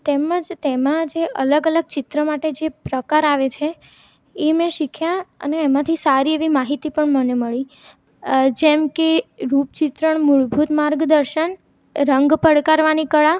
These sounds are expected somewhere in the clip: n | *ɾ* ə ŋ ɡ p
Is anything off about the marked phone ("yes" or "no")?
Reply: no